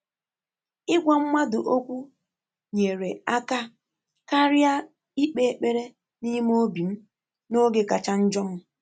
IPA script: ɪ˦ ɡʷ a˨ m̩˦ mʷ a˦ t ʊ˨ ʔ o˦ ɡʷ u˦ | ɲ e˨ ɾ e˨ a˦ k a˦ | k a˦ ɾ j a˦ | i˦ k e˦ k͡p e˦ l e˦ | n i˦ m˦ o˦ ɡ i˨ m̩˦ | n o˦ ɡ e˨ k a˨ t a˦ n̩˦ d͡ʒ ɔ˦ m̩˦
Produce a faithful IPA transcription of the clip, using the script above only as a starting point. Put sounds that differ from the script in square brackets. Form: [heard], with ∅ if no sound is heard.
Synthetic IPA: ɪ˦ ɡʷ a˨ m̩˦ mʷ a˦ [d] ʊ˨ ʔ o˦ [kʷ] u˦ | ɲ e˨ ɾ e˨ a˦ k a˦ | k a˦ ɾ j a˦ | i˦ [k͡p] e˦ k͡p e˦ [ɾ] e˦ | n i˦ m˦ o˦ [b] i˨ m̩˦ | n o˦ ɡ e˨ k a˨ [t͡ʃ] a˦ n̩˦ d͡ʒ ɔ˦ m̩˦